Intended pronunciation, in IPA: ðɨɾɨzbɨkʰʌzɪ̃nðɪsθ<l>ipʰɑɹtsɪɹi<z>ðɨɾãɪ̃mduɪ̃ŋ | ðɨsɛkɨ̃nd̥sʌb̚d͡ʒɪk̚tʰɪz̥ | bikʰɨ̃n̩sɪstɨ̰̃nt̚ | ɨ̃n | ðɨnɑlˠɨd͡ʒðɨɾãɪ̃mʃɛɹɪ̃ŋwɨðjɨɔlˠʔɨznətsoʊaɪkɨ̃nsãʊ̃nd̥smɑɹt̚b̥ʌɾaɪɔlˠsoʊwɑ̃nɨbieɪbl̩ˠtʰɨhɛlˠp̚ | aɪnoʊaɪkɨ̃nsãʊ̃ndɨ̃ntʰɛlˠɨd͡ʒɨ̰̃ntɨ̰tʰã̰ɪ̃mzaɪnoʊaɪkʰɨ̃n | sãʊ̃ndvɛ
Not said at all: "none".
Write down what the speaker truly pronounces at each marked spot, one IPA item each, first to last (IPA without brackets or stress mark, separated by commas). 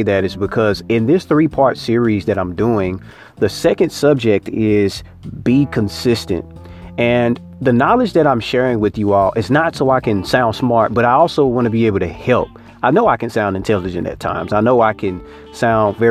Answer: ɹ, z